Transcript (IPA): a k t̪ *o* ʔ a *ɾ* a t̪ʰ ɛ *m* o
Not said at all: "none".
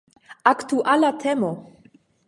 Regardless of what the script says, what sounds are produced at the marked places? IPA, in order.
u, l, m

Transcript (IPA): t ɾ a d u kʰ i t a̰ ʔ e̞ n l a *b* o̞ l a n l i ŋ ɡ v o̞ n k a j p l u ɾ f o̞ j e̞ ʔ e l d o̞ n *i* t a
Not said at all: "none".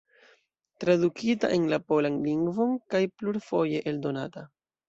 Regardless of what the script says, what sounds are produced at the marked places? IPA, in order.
p, a

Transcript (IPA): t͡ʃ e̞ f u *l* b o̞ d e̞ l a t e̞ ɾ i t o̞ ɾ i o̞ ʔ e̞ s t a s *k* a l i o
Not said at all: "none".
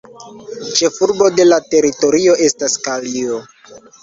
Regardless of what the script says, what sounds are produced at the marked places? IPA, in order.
ɾ, k

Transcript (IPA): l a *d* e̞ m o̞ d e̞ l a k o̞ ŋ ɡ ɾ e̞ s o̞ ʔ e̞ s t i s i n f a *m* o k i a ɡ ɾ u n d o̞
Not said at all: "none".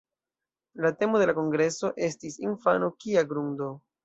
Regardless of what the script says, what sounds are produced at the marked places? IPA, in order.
t, n

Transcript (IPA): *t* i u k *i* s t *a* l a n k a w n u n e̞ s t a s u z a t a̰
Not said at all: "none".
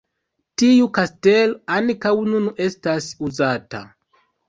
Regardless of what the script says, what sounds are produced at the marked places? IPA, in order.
t, a, e

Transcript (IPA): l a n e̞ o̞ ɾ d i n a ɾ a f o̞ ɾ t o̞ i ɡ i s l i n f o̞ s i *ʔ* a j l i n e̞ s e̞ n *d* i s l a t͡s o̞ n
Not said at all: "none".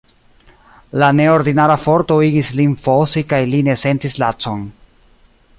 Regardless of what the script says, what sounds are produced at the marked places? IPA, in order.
k, t

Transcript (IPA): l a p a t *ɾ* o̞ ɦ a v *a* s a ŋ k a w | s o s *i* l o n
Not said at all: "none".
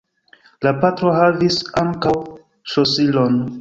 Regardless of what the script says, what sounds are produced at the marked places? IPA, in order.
ɾ, i, i

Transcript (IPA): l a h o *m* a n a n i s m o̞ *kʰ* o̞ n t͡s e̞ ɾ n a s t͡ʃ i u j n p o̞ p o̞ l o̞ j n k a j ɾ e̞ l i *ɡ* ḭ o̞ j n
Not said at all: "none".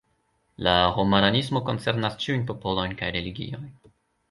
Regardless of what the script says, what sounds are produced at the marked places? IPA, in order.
m, k, ɡ

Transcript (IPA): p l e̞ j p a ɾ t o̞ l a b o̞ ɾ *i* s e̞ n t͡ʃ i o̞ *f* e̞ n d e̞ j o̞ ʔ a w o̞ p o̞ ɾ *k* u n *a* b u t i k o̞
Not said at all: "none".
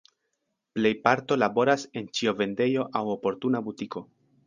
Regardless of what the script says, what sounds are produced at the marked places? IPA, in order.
a, v, t, a

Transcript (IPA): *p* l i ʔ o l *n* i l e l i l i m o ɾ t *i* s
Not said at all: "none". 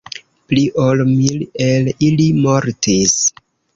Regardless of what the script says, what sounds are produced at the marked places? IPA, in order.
p, m, i

